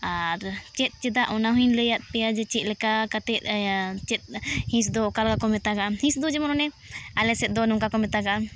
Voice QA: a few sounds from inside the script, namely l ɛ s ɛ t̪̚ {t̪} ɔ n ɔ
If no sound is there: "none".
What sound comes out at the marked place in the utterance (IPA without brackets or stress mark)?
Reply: d̪